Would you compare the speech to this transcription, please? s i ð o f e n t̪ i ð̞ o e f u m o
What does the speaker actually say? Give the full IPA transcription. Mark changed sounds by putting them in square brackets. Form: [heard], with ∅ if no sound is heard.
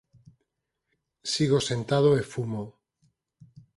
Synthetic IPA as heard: s i [ɣ] o [s] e n t̪ [a] ð̞ o e f u m o